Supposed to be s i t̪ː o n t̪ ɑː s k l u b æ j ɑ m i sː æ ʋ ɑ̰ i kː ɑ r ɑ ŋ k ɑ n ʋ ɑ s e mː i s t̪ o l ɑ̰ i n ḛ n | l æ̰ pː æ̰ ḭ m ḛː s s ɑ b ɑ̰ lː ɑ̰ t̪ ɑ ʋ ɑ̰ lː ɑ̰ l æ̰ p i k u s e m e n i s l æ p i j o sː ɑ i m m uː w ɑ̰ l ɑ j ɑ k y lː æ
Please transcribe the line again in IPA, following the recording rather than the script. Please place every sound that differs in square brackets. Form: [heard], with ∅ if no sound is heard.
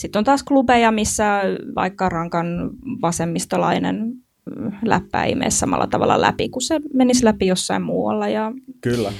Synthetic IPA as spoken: s i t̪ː o n t̪ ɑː s k l u b [e] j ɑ m i sː æ ʋ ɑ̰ i kː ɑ r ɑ ŋ k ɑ n ʋ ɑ s e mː i s t̪ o l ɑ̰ i n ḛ n | l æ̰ pː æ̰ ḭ m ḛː s s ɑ [m] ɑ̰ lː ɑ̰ t̪ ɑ ʋ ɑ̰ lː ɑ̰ l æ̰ p i k u s e m e n i s l æ p i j o sː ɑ i m m uː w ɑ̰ [lː] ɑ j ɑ k y lː æ